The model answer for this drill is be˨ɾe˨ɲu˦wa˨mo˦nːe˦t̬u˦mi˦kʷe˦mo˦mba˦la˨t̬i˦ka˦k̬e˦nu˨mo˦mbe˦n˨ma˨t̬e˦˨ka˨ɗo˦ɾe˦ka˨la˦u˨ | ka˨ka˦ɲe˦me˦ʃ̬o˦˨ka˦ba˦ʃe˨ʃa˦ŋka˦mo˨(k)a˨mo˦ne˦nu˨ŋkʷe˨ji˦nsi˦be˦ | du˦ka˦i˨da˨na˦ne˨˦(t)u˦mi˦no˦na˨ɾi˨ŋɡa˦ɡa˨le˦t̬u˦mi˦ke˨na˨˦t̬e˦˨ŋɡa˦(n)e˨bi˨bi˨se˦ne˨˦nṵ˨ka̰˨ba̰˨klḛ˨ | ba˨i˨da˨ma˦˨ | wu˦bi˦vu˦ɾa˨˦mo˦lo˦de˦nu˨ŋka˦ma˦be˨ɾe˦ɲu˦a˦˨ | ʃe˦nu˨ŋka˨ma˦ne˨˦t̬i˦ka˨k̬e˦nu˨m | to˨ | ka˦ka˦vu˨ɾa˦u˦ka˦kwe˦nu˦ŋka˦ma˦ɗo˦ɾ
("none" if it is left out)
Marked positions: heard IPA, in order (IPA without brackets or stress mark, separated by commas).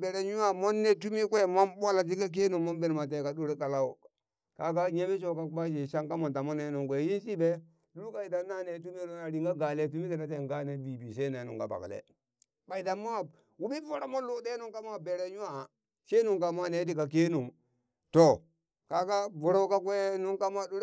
t, t, n